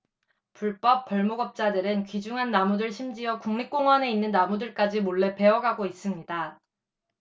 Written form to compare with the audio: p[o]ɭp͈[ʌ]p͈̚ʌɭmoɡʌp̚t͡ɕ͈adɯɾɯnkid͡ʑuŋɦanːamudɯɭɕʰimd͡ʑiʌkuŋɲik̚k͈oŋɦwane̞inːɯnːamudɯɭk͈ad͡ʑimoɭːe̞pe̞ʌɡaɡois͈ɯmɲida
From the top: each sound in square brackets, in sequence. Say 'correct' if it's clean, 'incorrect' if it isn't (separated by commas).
incorrect, correct